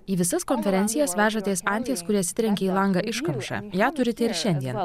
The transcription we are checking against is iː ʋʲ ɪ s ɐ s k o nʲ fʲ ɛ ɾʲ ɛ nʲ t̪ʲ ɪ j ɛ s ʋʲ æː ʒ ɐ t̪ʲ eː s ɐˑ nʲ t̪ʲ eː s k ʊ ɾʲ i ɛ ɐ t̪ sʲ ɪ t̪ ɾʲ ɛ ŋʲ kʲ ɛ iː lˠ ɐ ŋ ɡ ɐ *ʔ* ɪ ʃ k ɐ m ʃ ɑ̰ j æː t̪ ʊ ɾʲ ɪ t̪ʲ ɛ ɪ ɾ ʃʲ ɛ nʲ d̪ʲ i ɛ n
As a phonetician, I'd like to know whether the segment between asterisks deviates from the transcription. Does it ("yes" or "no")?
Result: no